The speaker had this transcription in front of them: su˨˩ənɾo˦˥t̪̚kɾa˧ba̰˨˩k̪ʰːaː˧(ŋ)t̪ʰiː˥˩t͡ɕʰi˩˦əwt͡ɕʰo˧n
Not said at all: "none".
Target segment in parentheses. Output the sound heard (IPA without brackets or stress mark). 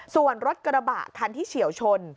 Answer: n